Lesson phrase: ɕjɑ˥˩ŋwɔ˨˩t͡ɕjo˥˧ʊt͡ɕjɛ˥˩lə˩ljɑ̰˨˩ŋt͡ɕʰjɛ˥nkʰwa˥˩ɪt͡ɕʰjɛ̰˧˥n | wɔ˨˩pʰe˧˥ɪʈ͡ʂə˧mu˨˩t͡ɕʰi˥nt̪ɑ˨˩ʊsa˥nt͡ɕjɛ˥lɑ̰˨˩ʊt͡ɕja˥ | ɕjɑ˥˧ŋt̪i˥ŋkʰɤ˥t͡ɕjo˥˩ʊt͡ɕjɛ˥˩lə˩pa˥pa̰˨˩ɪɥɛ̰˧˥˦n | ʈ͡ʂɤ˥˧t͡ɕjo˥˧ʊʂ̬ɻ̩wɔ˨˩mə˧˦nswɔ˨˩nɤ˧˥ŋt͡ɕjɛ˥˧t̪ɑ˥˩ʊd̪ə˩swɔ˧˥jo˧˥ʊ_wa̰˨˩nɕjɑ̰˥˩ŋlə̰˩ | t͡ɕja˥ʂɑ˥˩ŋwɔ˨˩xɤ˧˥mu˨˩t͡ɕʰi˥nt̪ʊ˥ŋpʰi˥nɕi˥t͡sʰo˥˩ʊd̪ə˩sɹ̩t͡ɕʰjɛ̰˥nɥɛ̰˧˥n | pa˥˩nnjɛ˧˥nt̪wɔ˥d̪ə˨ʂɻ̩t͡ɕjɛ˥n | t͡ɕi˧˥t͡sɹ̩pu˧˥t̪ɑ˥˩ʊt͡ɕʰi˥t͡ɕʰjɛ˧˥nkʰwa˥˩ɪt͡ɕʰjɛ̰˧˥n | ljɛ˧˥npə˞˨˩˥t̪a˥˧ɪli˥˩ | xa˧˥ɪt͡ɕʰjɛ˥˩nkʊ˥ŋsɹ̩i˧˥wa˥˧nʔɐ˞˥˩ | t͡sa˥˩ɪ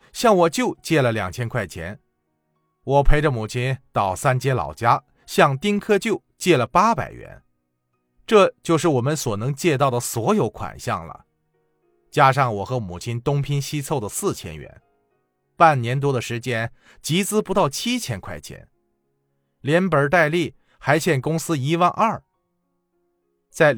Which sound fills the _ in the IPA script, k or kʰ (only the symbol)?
kʰ